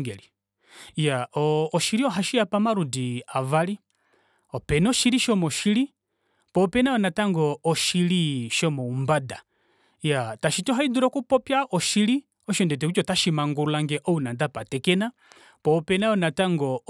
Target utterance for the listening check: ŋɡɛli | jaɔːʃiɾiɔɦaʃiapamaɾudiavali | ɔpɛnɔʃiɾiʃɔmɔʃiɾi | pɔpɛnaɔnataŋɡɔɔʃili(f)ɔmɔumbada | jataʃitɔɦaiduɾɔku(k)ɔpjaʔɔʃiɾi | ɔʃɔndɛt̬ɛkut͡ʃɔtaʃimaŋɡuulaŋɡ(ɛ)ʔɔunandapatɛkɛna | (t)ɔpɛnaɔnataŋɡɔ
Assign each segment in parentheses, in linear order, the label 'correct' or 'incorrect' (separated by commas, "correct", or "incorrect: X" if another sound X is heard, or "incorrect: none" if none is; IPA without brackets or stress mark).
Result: incorrect: ʃ, incorrect: p, correct, incorrect: p